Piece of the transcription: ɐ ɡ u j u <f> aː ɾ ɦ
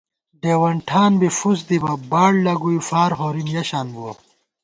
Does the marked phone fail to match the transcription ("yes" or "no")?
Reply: no